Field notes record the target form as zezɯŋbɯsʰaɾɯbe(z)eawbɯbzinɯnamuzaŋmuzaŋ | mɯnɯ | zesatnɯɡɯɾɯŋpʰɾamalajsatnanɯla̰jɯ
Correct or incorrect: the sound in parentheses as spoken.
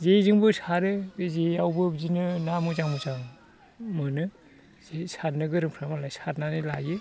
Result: correct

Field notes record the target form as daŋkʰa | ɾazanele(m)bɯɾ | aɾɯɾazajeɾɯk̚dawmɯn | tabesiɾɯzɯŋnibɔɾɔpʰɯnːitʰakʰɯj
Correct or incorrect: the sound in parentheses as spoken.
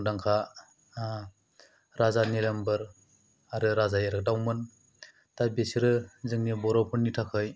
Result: correct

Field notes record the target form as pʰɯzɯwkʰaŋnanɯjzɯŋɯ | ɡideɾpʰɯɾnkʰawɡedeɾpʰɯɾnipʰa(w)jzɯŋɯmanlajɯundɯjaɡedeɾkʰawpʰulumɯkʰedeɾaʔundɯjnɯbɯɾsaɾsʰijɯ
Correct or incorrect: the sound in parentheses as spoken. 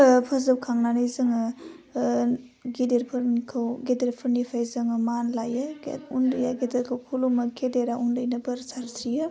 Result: incorrect: none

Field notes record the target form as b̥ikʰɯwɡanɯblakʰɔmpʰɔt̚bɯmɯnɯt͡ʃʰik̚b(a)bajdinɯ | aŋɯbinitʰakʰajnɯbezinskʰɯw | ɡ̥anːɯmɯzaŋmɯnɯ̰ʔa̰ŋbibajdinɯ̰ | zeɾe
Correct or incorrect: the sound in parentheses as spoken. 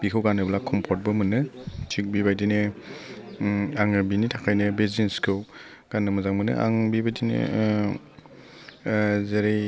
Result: incorrect: i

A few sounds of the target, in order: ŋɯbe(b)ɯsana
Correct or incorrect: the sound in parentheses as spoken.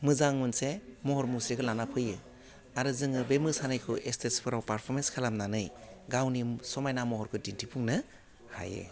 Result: incorrect: m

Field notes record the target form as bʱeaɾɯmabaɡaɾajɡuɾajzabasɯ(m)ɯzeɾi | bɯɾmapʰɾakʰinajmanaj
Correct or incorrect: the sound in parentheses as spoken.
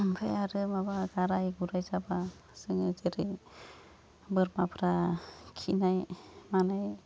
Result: incorrect: ŋ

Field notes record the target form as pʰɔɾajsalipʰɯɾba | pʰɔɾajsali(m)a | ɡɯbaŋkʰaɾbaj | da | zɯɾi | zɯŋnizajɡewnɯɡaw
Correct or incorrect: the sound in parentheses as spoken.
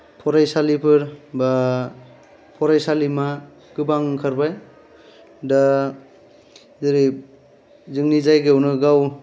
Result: correct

